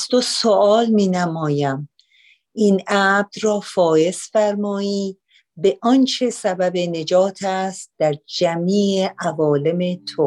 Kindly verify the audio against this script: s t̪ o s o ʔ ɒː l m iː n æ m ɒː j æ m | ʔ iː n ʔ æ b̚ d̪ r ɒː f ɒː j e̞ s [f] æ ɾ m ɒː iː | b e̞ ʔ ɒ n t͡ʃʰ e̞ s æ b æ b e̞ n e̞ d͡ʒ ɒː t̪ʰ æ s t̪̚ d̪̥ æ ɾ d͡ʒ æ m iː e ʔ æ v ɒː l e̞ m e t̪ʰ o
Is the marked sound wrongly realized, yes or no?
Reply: no